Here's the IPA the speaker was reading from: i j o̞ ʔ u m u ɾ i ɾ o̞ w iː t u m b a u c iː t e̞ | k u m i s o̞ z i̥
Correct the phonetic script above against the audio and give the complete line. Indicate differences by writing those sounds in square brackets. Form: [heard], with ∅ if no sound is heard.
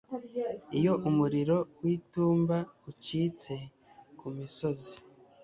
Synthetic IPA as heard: i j o̞ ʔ u m u ɾ i ɾ o̞ w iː t [uː] m b a u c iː [t͡s] e̞ | k u m i s o̞ z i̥